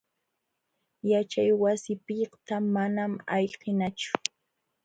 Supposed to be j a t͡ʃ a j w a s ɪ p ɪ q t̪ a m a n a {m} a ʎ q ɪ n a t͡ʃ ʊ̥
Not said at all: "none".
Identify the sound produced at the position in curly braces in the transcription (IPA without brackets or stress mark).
m